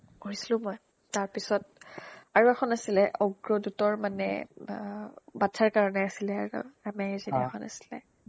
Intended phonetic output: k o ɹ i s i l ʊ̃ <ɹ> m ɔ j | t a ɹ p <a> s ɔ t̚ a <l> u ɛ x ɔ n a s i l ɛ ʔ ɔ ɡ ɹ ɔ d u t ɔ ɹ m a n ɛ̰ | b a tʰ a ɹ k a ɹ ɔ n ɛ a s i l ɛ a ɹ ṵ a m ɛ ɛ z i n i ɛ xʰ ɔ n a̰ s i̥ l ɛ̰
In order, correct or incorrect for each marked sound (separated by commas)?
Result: incorrect, incorrect, incorrect